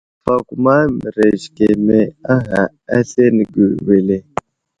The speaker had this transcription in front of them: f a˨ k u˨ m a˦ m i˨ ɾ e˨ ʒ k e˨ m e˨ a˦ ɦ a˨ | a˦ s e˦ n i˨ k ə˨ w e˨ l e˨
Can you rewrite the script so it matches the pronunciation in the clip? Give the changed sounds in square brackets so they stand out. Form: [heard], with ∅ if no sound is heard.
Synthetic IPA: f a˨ k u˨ m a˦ m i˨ ɾ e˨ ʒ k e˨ m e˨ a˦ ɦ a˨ | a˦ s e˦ n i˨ [ɡ] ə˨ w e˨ l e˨